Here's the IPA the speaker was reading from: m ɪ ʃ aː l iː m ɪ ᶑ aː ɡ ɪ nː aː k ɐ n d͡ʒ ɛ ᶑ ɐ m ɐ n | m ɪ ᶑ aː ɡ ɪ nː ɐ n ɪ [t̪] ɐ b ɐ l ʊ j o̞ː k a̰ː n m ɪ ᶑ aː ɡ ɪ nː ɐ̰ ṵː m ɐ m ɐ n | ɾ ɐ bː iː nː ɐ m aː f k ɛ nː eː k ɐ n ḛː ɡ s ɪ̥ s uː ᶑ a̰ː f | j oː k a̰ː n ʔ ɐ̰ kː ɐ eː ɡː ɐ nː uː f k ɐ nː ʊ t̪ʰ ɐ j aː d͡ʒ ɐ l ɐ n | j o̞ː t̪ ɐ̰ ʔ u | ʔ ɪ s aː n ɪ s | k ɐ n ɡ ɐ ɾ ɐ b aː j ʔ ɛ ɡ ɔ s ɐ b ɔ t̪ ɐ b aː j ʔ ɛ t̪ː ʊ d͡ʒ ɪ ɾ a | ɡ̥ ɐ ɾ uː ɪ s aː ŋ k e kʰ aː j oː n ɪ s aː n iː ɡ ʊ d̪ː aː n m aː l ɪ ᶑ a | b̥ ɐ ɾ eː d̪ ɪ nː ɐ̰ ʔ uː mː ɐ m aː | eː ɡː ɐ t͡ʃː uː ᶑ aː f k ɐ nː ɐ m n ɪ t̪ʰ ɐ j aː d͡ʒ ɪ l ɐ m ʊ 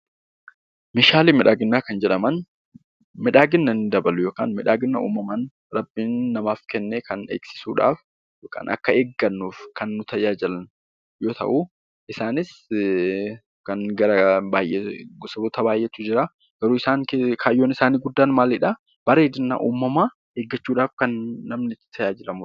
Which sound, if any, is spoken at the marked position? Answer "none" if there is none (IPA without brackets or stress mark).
d̪